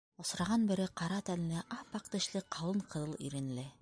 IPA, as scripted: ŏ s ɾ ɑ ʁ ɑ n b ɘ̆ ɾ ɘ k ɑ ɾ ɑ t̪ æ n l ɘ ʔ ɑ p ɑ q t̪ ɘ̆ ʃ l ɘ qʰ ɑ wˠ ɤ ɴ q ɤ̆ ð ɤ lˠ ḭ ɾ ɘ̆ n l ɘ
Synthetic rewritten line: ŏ s ɾ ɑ ʁ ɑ n b ɘ̆ ɾ ɘ q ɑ ɾ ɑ t̪ æ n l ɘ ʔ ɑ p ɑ q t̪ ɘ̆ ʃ l ɘ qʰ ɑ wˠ ɤ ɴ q ɤ̆ ð ɤ lˠ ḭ ɾ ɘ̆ n l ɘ